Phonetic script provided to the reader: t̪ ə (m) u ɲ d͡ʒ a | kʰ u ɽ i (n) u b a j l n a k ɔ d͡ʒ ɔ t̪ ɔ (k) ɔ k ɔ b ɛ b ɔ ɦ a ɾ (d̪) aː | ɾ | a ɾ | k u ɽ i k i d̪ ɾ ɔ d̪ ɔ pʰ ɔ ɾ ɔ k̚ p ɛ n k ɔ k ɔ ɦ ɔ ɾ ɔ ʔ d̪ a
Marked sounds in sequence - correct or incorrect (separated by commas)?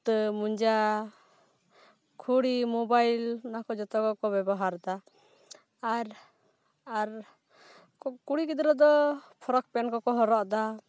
correct, incorrect, correct, correct